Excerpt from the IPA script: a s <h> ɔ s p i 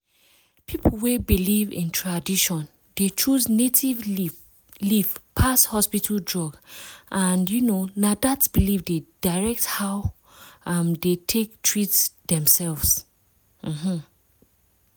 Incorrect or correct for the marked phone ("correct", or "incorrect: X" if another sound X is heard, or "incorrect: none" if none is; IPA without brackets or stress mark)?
correct